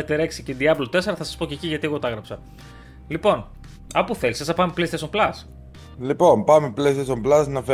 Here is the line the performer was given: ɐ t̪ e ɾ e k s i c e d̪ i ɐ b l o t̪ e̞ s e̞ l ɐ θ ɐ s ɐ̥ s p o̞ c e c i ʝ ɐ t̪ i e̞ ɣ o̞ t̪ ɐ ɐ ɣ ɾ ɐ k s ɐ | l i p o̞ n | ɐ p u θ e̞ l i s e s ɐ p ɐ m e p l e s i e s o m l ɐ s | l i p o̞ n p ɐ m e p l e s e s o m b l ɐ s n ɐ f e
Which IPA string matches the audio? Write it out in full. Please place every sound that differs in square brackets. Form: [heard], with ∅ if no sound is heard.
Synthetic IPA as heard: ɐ t̪ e ɾ e k s i c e d̪ i ɐ b l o t̪ e̞ s e̞ [ɾ] ɐ θ ɐ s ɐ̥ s p o̞ c e c i ʝ ɐ t̪ i e̞ ɣ o̞ t̪ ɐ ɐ ɣ ɾ ɐ [p] s ɐ | l i p o̞ n | ɐ p u θ e̞ l i s e s ɐ p ɐ m e p l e s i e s o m l ɐ s | l i p o̞ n p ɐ m e p l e s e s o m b l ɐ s n ɐ f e